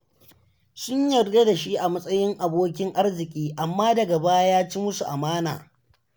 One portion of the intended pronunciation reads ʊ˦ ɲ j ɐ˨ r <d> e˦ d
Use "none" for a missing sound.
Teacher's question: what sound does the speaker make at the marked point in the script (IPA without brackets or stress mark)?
ɡ